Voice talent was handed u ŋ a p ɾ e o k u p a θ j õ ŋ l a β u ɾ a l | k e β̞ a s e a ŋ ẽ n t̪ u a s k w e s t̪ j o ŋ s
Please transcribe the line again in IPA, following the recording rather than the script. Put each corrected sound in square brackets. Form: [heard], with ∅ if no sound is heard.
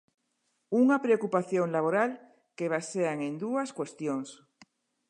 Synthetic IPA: u ŋ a p ɾ e o k u p a θ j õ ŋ l a β [o] ɾ a l | k e β̞ a s e a ŋ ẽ n [d̪] u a s k w e s t̪ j o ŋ s